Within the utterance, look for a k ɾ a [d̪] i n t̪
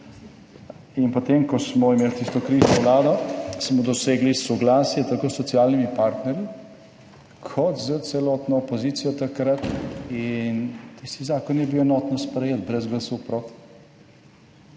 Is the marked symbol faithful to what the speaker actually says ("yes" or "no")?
no